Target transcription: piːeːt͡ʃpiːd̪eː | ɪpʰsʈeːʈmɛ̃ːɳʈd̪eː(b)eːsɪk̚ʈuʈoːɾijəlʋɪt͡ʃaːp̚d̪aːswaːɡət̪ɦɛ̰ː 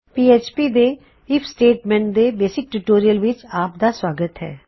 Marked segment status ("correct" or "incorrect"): correct